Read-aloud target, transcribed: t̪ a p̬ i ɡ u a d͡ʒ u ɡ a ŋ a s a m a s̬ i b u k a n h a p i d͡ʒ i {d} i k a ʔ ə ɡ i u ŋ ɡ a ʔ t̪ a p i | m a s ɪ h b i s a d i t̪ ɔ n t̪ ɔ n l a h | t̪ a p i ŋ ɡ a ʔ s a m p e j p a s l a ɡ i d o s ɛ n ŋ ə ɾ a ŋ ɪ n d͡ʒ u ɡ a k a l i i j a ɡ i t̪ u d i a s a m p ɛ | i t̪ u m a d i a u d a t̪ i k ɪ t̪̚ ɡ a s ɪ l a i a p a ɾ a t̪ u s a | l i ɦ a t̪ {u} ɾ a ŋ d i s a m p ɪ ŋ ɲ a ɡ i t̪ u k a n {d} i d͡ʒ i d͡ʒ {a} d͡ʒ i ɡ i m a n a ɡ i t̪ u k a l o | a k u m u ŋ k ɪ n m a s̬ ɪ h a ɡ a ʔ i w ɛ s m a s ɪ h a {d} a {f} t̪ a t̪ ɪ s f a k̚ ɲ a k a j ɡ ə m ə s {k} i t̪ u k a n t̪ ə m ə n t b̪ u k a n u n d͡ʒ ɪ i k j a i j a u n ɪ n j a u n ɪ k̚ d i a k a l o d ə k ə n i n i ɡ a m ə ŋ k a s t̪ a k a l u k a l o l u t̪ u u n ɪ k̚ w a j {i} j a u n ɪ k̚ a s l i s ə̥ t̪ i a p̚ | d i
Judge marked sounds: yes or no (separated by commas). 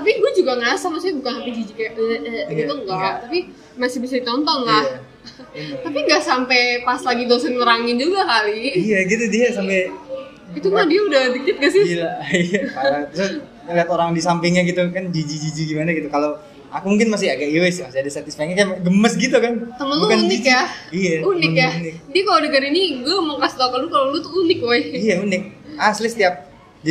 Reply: no, no, no, no, yes, no, no, yes